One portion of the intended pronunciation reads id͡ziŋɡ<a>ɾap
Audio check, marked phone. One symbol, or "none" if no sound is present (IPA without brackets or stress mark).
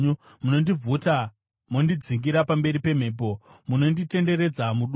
i